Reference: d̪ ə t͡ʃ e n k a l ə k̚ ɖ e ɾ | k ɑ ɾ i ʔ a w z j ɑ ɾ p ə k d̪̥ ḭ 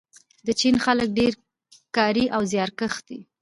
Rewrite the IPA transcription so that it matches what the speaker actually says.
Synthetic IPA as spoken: d̪ ə t͡ʃ i n x a l ə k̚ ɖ e ɾ | k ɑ ɾ i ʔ a w z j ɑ ɾ k ə x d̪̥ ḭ